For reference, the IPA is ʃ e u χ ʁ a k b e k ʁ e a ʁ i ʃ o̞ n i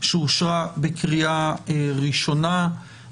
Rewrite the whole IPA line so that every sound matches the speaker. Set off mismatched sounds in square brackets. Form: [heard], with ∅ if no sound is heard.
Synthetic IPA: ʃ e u [ʃ] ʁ a [∅] b e k ʁ [i] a ʁ i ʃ o̞ n [a]

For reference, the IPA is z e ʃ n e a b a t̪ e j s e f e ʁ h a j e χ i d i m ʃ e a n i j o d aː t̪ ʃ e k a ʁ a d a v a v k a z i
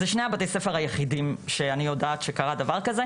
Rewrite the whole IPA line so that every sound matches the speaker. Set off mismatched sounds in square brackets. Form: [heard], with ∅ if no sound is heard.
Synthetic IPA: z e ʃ n e a b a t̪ e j s e f e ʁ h a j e χ i d i m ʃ e a n i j o d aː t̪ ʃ e k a ʁ a d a v a [ʁ] k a z [e]

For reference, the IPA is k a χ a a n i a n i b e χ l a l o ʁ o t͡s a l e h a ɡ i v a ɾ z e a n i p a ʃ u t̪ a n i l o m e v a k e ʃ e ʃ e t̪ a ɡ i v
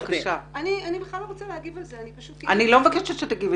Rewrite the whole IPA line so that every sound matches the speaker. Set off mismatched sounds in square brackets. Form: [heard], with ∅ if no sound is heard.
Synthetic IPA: k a [ʃ] a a n i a n i b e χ l a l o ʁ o t͡s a l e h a ɡ i v a [l] z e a n i p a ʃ u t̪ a n i l o m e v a k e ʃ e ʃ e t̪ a ɡ i v

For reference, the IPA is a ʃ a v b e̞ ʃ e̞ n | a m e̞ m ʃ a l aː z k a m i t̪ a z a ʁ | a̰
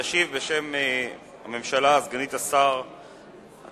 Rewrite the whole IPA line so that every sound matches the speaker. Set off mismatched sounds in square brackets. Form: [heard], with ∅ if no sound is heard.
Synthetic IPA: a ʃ [i] v b e̞ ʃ e̞ [m] | a m e̞ m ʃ a l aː z [ɡ] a [n] i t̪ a [s] a ʁ | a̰

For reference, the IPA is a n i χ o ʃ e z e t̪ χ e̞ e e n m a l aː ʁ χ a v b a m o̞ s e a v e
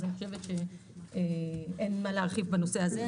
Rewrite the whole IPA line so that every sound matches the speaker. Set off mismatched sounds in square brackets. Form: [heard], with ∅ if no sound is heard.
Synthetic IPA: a n i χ o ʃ e [v] e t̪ [ʃ] e̞ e e n m a l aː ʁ χ [i] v b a [n] o̞ s e a [z] e

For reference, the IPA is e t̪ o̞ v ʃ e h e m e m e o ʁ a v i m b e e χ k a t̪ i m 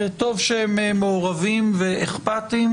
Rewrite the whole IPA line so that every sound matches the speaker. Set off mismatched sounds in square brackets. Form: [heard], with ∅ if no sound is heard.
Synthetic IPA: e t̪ o̞ v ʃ e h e m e m e o ʁ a v i m [v] e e χ [p] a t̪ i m

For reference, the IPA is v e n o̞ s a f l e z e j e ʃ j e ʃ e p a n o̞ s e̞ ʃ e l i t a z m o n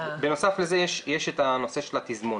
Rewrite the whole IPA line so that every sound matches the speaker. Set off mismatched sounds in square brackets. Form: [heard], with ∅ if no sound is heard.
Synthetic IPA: [b] e n o̞ s a f l e z e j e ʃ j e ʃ e [t] a n o̞ s e̞ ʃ e l [a] t [i] z m o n

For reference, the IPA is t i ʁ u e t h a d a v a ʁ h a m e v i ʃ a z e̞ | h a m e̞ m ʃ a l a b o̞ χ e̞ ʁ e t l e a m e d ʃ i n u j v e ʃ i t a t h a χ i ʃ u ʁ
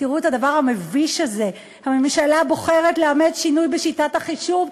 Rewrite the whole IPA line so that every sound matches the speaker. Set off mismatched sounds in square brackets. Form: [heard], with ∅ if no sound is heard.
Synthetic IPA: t i ʁ u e t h a d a v a ʁ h a m e v i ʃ a z e̞ | h a m e̞ m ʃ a l a b o̞ χ e̞ ʁ e t l e a m e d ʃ i n u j [b] e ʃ i t a t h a χ i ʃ u [v]

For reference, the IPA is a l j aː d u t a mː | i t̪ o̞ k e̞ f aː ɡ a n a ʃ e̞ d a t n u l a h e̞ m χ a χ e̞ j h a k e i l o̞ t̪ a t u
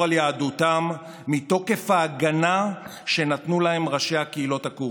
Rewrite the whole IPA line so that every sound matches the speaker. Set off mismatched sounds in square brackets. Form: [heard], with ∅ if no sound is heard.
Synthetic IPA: a l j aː d u t a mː | i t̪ o̞ k e̞ f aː ɡ a n a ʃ e̞ [n] a t n u l a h e̞ m [ʁ] a [ʃ] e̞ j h a k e i l o̞ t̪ a [k] u

